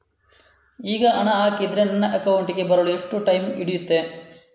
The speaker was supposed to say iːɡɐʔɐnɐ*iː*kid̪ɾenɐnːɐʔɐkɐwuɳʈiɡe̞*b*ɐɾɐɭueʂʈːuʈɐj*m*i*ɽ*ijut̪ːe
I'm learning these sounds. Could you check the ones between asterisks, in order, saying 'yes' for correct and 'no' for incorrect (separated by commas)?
no, yes, yes, yes